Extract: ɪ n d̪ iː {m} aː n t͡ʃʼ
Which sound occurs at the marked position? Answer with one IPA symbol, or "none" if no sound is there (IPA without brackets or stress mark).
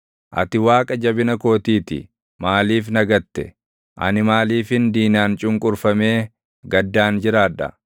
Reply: n